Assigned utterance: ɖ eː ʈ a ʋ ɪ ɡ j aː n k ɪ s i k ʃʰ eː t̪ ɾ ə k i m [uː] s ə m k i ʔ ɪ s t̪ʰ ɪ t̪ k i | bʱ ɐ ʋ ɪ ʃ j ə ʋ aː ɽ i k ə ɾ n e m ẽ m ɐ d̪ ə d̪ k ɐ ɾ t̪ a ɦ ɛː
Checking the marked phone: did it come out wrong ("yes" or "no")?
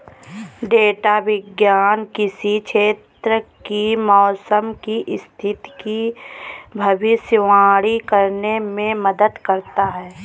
yes